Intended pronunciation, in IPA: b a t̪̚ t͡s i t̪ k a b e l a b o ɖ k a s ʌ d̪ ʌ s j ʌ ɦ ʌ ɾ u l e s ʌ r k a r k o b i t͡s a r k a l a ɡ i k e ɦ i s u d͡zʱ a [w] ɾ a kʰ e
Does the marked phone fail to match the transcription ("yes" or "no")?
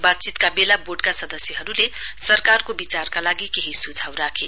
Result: no